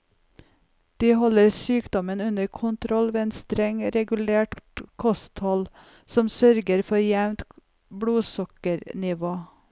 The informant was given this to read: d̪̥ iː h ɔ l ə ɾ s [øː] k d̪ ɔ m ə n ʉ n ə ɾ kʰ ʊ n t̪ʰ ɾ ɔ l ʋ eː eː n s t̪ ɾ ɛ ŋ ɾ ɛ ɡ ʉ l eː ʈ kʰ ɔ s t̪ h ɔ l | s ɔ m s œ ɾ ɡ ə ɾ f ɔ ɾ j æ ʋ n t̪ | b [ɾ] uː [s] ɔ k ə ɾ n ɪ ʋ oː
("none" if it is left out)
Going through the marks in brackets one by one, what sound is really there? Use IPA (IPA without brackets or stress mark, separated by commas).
yː, ɽ, s